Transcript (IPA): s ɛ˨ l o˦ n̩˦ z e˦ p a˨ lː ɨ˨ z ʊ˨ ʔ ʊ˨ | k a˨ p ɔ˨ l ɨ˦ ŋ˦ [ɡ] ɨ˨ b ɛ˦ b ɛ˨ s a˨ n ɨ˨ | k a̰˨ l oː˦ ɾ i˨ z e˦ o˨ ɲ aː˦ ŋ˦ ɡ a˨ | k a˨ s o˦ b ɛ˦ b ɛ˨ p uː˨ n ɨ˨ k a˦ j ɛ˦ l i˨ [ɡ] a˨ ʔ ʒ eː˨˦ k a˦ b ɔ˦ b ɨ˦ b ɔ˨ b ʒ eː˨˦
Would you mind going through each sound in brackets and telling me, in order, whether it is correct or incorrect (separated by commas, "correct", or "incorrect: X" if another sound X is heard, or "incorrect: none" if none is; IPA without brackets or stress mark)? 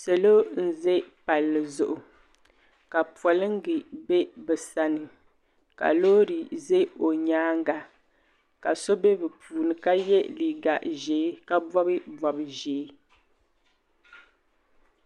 correct, correct